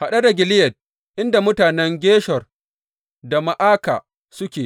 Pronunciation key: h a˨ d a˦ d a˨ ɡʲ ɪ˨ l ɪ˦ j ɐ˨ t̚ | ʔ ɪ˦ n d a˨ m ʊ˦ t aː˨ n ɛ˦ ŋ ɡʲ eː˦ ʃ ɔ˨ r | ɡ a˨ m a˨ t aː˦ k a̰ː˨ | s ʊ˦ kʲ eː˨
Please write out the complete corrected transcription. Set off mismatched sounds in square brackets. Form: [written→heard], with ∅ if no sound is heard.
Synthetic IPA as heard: h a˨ [d→ɗ] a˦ d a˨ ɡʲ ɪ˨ l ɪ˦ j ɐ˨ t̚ | ʔ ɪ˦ n d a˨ m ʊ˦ t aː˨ n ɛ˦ ŋ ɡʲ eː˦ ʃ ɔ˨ r | [ɡ→d] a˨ m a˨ [t→ʔ] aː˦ k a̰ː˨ | s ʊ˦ kʲ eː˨

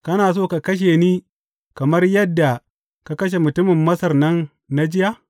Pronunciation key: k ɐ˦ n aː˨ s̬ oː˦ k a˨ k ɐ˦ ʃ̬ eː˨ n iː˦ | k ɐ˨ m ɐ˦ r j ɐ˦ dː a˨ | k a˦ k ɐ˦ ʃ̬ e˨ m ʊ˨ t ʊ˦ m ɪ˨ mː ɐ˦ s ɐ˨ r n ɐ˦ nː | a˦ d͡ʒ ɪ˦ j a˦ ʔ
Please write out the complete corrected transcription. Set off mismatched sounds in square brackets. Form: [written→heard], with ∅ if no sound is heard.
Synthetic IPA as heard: k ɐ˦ n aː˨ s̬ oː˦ k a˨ k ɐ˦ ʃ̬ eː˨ n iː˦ | k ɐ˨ m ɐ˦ r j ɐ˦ dː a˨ | k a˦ k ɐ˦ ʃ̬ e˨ m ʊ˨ t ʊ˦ m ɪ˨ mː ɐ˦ s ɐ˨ r n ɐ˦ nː | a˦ d͡ʒ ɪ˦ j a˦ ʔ

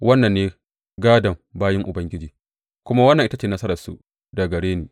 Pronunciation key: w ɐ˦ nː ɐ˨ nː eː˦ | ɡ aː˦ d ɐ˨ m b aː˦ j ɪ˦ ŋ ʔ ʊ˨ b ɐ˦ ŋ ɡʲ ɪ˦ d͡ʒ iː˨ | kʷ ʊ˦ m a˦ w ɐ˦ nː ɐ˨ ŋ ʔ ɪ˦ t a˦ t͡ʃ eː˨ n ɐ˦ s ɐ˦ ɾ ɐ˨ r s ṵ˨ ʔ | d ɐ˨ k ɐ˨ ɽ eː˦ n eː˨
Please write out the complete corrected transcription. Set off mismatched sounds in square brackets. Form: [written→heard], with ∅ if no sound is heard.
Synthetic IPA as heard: w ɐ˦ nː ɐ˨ nː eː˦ | ɡ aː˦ d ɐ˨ m b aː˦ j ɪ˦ ŋ ʔ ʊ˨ b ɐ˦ ŋ ɡʲ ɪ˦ d͡ʒ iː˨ | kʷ ʊ˦ m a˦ w ɐ˦ nː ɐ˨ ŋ ʔ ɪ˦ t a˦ t͡ʃ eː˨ n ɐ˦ s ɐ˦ ɾ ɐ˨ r s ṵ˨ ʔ | d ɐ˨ [k→ɡ] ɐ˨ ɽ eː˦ n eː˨

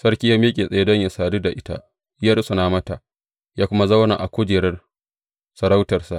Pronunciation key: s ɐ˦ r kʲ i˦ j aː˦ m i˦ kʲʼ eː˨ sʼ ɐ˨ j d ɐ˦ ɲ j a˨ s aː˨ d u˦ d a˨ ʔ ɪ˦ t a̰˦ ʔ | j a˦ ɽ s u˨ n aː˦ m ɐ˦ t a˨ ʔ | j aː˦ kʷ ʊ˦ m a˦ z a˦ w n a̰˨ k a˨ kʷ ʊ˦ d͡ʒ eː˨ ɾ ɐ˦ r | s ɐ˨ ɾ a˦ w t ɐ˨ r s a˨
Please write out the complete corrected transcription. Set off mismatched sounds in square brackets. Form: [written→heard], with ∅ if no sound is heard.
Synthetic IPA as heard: s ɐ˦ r kʲ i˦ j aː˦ m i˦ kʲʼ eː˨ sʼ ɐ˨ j d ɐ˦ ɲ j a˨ s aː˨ d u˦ d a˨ ʔ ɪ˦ t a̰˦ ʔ | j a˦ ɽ s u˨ n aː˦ m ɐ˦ t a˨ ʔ | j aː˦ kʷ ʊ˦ m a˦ z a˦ w n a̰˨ [k→ʔ] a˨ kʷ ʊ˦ d͡ʒ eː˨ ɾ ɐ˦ r | s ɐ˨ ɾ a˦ w t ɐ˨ r s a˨

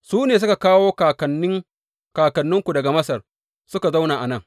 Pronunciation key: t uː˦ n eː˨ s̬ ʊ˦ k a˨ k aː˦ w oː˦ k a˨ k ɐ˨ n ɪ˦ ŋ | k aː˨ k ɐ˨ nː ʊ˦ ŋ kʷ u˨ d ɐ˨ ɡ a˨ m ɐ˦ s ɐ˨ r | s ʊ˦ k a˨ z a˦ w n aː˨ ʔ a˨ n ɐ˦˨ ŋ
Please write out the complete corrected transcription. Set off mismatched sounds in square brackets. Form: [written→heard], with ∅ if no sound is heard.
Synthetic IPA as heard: [t→s] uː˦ n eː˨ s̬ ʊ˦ k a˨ k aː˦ w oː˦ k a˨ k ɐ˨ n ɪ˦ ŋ | k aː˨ k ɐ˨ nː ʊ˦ ŋ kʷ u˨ d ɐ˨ ɡ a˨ m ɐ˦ s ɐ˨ r | s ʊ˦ k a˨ z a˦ w n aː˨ ʔ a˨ n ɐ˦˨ ŋ

